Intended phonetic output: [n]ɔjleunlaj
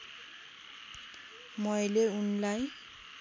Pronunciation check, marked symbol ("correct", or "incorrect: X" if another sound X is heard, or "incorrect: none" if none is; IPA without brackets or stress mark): incorrect: m